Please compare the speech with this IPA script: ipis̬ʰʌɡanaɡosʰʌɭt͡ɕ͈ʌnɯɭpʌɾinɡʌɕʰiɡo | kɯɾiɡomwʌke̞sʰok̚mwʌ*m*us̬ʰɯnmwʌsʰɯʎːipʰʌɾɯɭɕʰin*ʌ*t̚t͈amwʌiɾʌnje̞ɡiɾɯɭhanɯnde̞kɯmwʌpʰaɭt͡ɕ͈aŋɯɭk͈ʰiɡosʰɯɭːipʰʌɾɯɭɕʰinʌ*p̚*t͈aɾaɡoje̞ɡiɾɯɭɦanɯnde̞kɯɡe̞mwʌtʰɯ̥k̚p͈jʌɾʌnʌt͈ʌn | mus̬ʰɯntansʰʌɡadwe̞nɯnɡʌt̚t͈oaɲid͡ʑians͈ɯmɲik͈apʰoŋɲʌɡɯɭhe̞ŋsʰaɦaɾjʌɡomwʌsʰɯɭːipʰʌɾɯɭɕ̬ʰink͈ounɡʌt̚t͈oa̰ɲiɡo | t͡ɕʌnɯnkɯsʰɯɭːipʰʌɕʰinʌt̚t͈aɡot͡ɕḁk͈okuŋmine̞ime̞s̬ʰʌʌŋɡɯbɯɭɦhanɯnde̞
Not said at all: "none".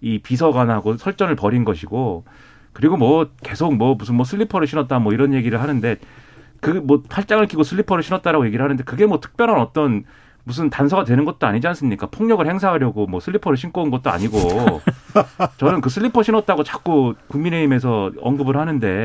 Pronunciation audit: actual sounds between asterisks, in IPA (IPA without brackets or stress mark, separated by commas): m, ʌ, t̚